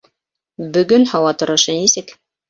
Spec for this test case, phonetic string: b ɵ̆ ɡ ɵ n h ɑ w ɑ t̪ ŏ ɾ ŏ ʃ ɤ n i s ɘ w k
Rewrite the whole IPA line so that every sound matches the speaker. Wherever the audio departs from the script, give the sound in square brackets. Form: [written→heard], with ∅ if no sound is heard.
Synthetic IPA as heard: b ɵ̆ ɡ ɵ n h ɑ w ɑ t̪ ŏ ɾ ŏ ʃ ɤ n i s ɘ [w→∅] k